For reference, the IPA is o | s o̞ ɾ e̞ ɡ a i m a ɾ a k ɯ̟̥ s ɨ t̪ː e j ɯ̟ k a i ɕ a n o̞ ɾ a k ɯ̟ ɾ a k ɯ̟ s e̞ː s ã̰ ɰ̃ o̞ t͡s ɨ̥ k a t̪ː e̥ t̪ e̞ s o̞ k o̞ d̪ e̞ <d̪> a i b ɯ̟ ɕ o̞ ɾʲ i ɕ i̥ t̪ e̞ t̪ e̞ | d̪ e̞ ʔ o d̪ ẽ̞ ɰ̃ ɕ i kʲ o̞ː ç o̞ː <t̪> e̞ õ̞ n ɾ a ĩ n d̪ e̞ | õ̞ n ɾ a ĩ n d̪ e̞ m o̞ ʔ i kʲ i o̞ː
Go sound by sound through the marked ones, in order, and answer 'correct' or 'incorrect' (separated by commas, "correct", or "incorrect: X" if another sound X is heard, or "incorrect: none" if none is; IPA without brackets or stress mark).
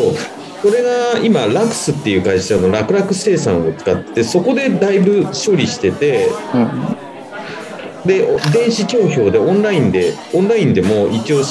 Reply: correct, incorrect: d̪